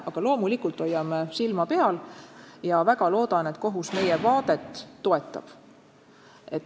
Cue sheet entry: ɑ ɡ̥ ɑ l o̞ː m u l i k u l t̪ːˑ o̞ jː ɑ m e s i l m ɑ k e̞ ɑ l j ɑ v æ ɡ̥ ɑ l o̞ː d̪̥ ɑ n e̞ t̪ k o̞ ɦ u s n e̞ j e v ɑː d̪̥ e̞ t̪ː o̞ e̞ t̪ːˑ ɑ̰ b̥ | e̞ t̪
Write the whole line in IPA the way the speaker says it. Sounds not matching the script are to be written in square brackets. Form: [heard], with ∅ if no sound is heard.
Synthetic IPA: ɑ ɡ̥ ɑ l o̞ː m u l i k u l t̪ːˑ o̞ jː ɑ m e s i l m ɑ [p] e̞ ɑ l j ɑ v æ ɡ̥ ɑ l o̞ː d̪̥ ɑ n e̞ t̪ k o̞ ɦ u s [m] e̞ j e v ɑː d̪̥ e̞ t̪ː o̞ e̞ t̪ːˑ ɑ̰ b̥ | e̞ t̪

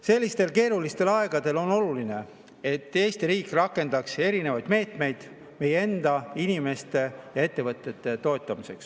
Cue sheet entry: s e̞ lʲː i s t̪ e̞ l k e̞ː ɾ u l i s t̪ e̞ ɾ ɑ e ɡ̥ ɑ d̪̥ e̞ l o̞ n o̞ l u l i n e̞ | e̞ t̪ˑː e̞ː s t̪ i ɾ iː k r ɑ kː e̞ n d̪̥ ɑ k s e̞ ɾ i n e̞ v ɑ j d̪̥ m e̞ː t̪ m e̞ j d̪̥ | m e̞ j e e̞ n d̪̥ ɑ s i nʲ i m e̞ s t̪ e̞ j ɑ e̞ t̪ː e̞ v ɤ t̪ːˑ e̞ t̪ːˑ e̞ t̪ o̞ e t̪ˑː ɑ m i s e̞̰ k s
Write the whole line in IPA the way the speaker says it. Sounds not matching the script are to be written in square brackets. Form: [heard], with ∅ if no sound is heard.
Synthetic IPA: s e̞ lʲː i s t̪ e̞ l k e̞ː ɾ u l i s t̪ e̞ [l] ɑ e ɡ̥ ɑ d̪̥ e̞ l o̞ n o̞ l u l i n e̞ | e̞ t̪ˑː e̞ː s t̪ i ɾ iː k r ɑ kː e̞ n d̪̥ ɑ k s e̞ ɾ i n e̞ v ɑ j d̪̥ m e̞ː t̪ m e̞ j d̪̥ | m e̞ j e e̞ n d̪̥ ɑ [∅] i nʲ i m e̞ s t̪ e̞ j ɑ e̞ t̪ː e̞ v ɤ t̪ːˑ e̞ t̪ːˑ e̞ t̪ o̞ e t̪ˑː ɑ m i s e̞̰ k s

